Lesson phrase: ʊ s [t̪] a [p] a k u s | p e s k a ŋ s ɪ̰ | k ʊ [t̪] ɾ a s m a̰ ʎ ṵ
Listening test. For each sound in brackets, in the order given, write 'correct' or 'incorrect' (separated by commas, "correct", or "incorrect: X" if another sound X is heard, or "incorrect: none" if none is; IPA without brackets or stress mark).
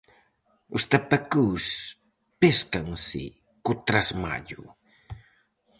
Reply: correct, correct, correct